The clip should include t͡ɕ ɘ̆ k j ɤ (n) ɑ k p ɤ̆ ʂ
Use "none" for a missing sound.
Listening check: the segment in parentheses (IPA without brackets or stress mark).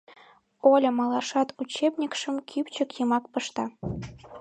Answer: m